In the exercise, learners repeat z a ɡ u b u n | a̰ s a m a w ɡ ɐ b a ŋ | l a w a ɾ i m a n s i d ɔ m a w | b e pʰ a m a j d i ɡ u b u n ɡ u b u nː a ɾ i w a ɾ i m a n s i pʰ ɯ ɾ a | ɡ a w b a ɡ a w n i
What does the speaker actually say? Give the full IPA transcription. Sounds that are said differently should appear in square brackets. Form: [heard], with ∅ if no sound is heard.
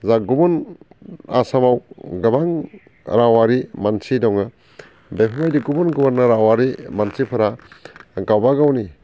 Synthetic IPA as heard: z a ɡ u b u n | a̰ s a m a w ɡ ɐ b a ŋ | [ɾ] a w a ɾ i m a n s i d ɔ [ŋ] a [∅] | b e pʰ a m a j d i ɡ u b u n ɡ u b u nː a ɾ [a] w a ɾ i m a n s i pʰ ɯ ɾ a | ɡ a w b a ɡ a w n i